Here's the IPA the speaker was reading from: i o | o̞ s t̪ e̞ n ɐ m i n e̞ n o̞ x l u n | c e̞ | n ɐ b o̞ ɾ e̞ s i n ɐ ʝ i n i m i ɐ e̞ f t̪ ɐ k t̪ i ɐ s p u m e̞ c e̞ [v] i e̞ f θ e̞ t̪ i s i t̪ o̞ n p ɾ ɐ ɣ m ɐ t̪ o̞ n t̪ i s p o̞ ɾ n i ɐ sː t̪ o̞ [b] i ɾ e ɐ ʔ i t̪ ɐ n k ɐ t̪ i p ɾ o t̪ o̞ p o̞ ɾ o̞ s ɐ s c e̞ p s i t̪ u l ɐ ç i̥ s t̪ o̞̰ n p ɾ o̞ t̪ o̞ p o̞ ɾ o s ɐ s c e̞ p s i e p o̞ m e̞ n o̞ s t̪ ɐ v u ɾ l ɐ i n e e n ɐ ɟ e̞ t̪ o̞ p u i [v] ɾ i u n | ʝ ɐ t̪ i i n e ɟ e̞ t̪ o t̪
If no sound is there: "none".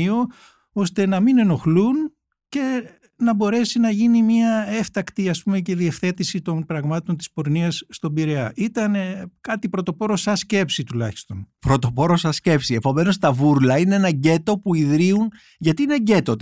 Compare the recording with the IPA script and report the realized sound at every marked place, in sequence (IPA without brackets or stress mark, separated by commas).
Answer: ð, b, ð